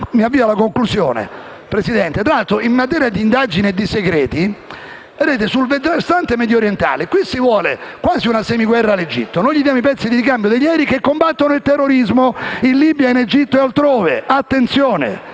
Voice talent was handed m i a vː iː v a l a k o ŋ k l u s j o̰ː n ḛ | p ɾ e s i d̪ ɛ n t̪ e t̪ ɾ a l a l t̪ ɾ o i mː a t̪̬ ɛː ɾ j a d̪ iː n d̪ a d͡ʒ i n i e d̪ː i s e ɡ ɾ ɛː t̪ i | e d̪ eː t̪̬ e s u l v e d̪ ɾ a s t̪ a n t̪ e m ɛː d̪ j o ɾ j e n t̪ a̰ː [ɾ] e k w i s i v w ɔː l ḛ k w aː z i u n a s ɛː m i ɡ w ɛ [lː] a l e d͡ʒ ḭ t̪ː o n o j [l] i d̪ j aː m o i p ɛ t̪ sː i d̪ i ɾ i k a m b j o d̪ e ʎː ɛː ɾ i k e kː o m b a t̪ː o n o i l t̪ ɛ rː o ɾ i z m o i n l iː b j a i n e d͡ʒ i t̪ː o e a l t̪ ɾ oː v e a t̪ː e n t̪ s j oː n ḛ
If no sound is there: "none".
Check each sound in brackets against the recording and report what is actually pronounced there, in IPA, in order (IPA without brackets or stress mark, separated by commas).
l, rː, ʎ